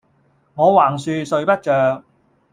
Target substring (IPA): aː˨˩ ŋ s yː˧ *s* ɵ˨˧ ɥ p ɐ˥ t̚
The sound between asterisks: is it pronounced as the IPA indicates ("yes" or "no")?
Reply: yes